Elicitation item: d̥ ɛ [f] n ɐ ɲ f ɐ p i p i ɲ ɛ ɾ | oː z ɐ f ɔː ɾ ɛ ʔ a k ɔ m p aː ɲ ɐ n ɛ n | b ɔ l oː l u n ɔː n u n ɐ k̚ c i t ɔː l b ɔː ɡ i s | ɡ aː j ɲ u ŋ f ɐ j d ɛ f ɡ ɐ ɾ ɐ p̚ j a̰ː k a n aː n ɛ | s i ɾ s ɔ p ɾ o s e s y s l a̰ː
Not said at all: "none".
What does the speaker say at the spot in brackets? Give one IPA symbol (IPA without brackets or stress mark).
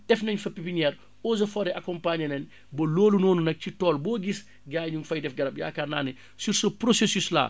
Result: f